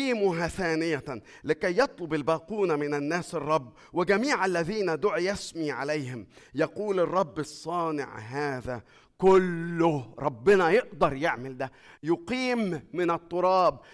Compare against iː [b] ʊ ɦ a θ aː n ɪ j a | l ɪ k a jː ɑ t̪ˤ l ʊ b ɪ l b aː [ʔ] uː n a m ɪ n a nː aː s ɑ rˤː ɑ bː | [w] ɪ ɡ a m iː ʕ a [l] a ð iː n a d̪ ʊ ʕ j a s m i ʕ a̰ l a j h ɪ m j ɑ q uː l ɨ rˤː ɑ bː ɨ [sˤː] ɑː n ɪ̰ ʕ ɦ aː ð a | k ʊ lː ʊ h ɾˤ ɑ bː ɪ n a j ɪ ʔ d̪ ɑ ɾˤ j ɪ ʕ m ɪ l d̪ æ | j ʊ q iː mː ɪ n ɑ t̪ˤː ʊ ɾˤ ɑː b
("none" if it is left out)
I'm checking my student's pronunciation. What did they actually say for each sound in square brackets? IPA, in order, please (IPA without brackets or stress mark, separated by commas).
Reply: m, q, w, lː, sˤː